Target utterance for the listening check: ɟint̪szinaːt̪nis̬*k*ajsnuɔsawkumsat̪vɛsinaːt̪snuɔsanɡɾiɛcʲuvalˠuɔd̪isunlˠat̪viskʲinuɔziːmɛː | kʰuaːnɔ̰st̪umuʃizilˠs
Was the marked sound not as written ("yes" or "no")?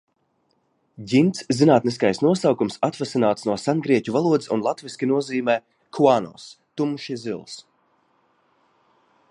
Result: no